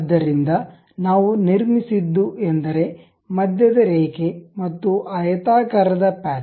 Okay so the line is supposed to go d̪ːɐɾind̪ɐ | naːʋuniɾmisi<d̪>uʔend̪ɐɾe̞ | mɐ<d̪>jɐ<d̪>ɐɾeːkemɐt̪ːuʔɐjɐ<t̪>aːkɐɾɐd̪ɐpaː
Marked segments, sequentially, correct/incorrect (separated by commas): incorrect, correct, correct, correct